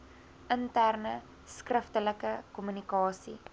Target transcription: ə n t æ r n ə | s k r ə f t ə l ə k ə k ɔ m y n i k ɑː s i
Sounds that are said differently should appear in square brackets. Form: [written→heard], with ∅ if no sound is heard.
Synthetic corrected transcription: ə n t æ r n ə | s k r ə f t ə l ə k ə k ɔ m y n i k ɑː s i

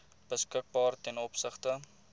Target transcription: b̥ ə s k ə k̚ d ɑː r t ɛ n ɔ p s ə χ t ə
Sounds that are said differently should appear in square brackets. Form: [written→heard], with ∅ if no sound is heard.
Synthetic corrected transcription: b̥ ə s k ə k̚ [d→b] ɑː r t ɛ n ɔ p s ə χ t ə

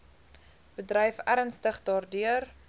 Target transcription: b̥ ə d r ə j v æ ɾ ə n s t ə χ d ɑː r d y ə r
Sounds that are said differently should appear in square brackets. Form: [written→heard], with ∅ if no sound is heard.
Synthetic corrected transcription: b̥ ə d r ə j [v→f] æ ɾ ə n s t ə χ d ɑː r d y ə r

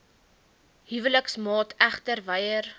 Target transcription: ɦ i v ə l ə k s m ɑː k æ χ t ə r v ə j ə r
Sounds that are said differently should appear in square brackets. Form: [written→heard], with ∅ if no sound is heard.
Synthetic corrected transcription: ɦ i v ə l ə k s m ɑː [k→t] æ χ t ə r v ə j ə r

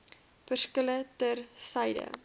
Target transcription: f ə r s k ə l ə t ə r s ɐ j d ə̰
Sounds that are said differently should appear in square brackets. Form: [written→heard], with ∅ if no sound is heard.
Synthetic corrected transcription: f ə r s k ə l ə t ə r s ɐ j d ə̰

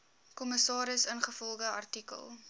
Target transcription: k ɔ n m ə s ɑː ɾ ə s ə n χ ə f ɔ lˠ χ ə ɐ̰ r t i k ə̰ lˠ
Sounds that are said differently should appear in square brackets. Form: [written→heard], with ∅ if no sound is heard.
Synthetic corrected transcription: k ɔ [n→∅] m ə s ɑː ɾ ə s ə n χ ə f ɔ lˠ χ ə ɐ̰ r t i k ə̰ lˠ

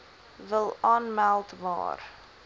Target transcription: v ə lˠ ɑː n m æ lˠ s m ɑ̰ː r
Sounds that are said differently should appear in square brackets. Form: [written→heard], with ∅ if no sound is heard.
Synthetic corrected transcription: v ə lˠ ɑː n m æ lˠ [s→t] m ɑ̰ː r

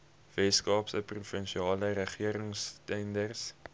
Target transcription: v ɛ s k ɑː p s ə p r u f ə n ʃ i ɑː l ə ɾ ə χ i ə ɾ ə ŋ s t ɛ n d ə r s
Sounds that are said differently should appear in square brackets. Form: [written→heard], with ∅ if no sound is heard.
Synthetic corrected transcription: v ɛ s k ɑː p s ə p r u f ə n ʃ i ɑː l ə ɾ ə χ i ə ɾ ə ŋ s t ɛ n d ə r s

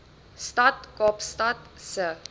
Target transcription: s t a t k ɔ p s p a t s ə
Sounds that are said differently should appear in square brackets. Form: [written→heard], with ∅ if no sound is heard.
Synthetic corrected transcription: s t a t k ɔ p s [p→t] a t s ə

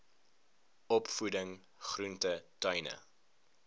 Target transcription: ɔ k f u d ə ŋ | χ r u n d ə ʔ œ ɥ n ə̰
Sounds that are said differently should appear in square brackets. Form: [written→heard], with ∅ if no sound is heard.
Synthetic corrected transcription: ɔ [k→p] f u d ə ŋ | χ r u n [d→t] ə [ʔ→t] œ ɥ n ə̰

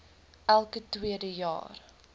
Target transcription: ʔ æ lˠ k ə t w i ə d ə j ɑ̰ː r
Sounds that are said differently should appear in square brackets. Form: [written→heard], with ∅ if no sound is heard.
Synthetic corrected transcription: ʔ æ lˠ k ə t w i ə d ə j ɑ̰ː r

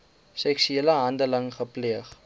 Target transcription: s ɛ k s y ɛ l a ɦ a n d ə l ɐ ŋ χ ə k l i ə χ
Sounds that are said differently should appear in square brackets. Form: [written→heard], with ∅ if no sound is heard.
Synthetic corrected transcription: s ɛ k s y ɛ l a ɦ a n d ə l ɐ ŋ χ ə [k→p] l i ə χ

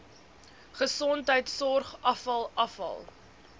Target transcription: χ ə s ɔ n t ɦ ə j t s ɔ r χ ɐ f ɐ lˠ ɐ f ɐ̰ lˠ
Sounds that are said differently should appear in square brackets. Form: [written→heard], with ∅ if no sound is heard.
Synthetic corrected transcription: χ ə s ɔ n t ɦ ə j t s ɔ r χ ɐ f ɐ lˠ ɐ f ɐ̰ lˠ

